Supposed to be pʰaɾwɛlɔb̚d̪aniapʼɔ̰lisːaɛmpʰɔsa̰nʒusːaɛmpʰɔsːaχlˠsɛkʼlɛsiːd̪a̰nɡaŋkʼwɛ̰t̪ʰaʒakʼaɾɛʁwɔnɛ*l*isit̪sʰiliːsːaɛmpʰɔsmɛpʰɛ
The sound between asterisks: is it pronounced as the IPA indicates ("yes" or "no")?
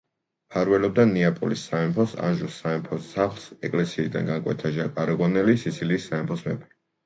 yes